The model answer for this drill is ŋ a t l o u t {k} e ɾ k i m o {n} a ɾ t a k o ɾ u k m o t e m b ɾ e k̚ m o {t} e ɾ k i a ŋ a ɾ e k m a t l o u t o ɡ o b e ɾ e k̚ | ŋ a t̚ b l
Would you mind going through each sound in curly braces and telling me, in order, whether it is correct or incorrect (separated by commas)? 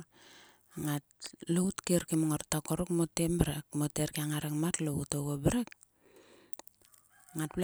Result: correct, incorrect, correct